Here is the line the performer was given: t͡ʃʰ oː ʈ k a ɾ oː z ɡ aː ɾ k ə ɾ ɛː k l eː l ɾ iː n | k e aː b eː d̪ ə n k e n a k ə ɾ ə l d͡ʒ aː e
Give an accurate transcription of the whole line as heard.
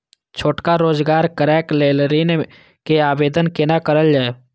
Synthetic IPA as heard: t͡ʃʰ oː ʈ k a ɾ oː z ɡ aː ɾ k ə ɾ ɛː k l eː l ɾ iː n | k e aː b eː d̪ ə n k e n a k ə ɾ ə l d͡ʒ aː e